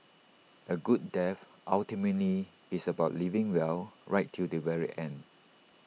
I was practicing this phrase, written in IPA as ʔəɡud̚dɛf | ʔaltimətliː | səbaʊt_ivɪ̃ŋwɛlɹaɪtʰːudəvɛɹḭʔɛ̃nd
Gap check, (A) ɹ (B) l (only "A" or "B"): B